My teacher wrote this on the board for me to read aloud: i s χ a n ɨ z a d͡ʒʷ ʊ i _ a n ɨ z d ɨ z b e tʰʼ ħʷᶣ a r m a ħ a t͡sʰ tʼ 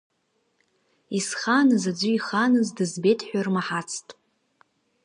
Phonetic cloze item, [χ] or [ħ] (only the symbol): χ